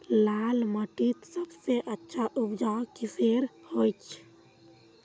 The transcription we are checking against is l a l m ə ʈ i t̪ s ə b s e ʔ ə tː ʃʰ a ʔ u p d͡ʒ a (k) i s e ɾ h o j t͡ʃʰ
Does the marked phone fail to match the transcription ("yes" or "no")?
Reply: no